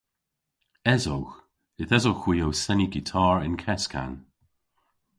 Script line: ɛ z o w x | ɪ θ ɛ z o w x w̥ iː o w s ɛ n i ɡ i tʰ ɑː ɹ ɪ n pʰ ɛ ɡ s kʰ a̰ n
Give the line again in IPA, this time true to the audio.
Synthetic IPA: ɛ z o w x | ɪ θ ɛ z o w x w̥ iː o w s ɛ n i ɡ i tʰ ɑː ɹ ɪ n kʰ ɛ s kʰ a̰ n